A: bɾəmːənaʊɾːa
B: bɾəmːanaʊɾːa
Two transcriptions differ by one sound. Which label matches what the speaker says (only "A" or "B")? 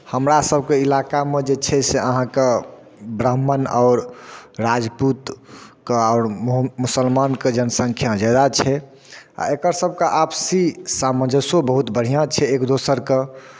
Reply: A